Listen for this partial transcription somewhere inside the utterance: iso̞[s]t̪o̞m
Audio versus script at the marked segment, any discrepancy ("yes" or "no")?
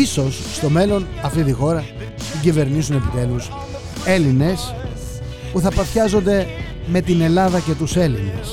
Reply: yes